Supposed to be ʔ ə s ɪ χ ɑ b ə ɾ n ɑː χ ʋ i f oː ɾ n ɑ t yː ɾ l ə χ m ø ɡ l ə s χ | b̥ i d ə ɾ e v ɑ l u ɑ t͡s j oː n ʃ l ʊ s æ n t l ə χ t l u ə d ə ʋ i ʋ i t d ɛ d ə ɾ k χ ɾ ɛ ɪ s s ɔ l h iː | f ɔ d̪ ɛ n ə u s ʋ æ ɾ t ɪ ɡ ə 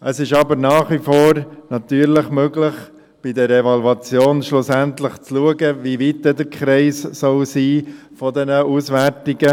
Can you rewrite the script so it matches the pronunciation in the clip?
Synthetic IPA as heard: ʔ ə s ɪ ʃ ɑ b ə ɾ n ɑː χ ʋ i f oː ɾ n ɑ t yː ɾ l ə χ m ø ɡ l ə χ | b̥ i d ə ɾ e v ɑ l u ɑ t͡s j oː n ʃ l ʊ s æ n t l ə χ t͡s l u ə ɡ ə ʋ i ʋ i t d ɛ d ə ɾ k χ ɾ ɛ ɪ s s ɔ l s iː | f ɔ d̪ ɛ n ə u s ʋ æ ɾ t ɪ ɡ ə